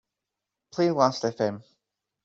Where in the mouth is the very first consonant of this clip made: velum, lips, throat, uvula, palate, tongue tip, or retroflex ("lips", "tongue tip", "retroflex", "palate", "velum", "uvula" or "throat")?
lips